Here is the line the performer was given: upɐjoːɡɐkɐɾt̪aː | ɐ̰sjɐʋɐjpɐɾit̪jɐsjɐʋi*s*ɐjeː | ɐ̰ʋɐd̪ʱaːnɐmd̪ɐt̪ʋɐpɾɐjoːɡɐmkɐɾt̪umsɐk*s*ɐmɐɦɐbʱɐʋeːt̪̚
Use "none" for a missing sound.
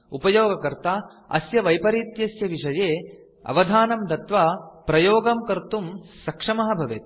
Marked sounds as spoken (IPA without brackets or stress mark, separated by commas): ʂ, ʂ